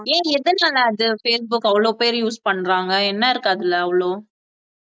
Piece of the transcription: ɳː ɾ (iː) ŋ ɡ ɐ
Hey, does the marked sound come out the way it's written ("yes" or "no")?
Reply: no